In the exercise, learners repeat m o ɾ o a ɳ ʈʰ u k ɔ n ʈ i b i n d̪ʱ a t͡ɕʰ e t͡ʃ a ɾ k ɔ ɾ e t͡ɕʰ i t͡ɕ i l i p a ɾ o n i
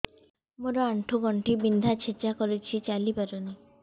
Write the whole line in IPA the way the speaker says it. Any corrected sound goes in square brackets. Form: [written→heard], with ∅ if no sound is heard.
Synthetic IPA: m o ɾ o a ɳ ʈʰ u [k→ɡ] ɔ [n→ɳ] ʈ i b i n d̪ʱ a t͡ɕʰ e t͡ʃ a [ɾ→∅] k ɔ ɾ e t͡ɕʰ i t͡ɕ [i→a] l i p a ɾ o n i